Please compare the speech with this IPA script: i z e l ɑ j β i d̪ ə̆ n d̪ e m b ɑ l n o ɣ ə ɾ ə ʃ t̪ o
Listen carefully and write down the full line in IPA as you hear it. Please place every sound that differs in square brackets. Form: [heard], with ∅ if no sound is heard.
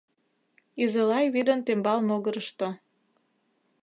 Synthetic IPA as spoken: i z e l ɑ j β i d̪ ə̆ n [t̪] e m b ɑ l [m] o ɣ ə ɾ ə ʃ t̪ o

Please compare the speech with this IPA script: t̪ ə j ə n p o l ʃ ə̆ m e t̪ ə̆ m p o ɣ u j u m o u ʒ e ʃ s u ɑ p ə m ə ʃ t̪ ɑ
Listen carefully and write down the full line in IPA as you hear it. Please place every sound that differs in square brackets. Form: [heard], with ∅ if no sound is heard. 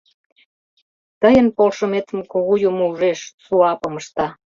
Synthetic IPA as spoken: t̪ ə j ə n p o l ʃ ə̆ m e t̪ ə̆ m [k] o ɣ u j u m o u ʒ e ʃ s u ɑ p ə m ə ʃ t̪ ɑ

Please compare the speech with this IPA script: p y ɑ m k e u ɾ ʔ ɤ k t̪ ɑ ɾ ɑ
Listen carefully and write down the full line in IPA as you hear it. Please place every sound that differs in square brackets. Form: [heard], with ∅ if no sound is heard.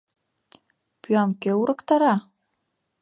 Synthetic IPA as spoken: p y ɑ m k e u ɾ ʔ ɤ k t̪ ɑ ɾ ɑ

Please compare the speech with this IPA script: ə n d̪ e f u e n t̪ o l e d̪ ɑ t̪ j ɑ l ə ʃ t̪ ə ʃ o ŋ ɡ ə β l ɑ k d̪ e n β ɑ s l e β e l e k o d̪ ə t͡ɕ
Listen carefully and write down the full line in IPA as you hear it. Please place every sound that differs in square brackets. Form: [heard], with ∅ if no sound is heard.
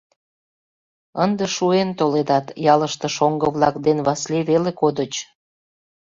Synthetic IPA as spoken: ə n d̪ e [ʃ] u e n t̪ o l e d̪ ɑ t̪ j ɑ l ə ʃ t̪ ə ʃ o ŋ ɡ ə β l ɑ k d̪ e n β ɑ s l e β e l e k o d̪ ə t͡ɕ

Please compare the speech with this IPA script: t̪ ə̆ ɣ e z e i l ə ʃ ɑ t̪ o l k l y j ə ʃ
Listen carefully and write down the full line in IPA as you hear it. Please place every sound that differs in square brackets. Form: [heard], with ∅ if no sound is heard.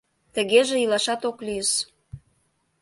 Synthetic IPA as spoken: t̪ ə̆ ɣ e [ʒ] e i l [ɑ] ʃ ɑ t̪ o [∅] k l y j ə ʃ

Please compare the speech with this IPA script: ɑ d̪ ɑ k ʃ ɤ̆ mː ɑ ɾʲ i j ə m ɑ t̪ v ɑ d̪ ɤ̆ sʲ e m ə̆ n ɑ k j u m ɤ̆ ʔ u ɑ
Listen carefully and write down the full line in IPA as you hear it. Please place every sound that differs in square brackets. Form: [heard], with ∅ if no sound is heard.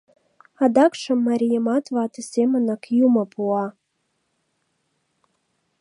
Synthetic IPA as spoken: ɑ d̪ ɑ k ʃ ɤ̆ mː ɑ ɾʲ i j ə m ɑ t̪ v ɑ [t̪] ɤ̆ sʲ e m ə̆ n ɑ k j u m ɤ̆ [p] u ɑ

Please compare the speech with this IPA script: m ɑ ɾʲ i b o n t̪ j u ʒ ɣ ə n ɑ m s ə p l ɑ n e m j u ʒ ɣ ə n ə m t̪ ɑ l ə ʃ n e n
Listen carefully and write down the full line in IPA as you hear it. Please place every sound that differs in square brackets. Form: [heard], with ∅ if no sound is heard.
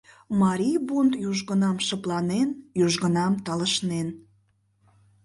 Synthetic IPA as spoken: m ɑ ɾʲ i b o n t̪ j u ʒ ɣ ə n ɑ m [ʃ] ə p l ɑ n e [n] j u ʒ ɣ ə n [ɑ] m t̪ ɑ l ə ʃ n e n

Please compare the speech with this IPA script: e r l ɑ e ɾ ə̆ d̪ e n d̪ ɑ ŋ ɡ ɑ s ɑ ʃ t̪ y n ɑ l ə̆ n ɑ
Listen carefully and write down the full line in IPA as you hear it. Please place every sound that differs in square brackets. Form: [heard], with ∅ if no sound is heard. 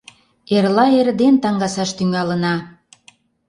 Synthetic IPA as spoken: e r l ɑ e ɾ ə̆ d̪ e n [t̪] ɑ ŋ ɡ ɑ s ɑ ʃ t̪ y [ŋ] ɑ l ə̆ n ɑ

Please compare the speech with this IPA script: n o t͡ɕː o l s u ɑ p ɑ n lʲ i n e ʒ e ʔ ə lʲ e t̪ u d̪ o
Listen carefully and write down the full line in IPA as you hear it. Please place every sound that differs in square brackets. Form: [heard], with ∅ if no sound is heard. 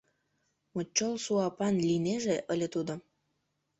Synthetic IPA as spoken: [m] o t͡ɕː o l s u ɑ p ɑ n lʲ i n e ʒ e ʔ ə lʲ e t̪ u d̪ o

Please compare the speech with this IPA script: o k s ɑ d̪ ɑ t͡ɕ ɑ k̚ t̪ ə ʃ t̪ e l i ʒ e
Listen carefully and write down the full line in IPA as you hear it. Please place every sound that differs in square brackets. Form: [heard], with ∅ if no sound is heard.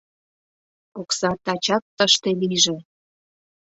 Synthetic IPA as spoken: o k s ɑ [t̪] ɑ t͡ɕ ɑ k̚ t̪ ə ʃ t̪ e l i ʒ e

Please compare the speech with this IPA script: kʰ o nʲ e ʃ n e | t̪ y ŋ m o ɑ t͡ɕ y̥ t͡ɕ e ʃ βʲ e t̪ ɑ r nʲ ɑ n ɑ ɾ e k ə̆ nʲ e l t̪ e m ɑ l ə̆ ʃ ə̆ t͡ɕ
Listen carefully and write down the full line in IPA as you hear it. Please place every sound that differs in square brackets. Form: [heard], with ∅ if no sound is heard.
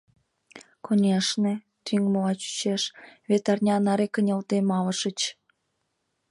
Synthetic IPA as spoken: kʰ o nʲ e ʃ n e | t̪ y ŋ m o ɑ t͡ɕ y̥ t͡ɕ e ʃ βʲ e t̪ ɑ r nʲ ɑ n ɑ ɾ e k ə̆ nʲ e l t̪ e m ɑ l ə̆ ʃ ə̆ t͡ɕ

